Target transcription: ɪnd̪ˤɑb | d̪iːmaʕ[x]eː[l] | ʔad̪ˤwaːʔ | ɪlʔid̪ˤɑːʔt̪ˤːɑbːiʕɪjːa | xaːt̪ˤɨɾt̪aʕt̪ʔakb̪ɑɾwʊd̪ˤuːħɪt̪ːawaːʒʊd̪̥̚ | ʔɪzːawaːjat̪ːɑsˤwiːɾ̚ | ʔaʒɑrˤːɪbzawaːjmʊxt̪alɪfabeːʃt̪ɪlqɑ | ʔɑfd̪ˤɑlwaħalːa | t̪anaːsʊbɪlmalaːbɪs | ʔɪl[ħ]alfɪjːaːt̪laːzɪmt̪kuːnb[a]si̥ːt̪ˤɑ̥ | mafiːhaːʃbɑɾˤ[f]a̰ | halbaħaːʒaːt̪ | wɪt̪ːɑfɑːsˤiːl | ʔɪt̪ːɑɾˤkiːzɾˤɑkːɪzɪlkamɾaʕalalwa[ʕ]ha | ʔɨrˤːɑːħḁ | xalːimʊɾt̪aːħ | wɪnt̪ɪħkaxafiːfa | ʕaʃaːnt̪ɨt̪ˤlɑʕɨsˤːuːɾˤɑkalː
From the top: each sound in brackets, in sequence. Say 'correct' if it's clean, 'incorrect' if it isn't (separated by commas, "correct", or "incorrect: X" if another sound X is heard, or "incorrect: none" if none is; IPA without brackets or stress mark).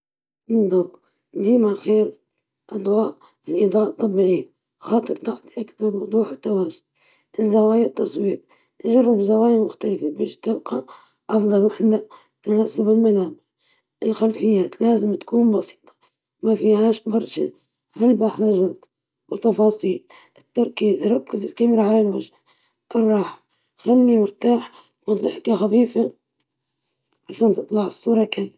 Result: correct, incorrect: ɾ, incorrect: x, incorrect: ɑ, incorrect: ʃ, incorrect: ʒ